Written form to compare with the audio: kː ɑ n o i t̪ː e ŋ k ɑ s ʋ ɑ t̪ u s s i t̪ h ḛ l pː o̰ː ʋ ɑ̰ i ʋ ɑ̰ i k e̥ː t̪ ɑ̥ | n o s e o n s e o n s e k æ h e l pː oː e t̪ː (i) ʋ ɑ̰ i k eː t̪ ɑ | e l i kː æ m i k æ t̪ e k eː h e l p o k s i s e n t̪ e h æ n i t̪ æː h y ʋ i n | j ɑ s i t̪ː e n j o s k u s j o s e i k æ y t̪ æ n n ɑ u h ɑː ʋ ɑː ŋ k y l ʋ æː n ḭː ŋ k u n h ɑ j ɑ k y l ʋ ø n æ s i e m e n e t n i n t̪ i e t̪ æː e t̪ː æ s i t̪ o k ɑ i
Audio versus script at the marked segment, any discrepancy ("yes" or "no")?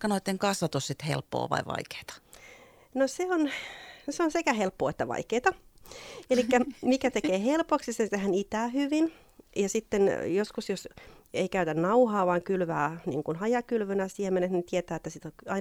yes